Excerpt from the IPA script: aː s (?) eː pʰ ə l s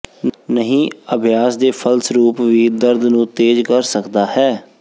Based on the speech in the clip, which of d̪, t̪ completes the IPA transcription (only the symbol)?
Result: d̪